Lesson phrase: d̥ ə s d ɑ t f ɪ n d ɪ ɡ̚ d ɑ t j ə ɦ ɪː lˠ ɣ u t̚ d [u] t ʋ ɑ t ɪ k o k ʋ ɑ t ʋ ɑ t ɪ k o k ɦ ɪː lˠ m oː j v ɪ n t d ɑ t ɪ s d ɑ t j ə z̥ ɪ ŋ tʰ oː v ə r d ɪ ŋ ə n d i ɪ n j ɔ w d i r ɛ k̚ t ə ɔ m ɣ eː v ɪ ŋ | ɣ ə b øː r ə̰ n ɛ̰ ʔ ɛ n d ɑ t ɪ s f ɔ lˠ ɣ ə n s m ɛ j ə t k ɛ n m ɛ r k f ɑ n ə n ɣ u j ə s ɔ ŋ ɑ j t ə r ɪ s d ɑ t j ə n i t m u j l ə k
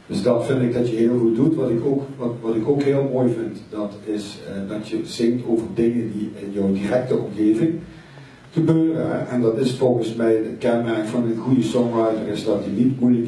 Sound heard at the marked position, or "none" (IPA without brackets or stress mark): u